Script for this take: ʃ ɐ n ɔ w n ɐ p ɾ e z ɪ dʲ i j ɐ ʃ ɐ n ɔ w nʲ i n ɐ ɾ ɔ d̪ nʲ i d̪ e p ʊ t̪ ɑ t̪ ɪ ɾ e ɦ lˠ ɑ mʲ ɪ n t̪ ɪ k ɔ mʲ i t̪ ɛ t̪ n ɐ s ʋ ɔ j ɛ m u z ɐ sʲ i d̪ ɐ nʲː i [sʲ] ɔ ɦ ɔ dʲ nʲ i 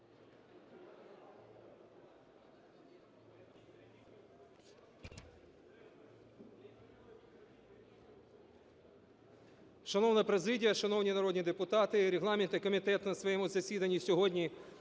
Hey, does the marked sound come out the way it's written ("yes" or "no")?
yes